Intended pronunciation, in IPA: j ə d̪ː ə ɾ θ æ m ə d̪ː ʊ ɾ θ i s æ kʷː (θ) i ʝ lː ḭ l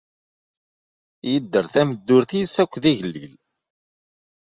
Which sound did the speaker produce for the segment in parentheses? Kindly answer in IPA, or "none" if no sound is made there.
ð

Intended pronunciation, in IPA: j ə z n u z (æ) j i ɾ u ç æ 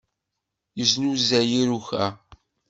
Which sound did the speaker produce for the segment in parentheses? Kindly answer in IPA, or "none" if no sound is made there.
æ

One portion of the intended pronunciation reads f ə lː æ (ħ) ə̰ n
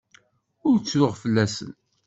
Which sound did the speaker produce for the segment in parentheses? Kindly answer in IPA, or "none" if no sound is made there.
s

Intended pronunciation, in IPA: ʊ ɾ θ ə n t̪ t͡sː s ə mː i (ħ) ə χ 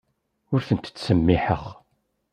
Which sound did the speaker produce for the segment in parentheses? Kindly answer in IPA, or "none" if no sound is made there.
ħ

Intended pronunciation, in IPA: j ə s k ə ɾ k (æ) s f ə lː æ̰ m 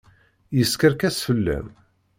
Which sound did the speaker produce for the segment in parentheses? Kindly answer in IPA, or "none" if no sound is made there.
æ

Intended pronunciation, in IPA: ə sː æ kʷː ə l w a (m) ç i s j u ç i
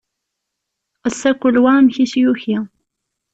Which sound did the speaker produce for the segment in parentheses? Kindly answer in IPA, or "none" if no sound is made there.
m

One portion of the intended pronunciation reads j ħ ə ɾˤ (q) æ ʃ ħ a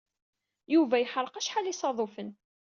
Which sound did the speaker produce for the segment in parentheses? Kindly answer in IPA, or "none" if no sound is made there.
q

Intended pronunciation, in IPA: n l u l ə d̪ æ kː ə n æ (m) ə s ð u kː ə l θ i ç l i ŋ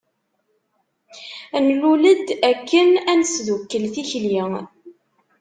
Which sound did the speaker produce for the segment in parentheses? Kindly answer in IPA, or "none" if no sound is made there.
n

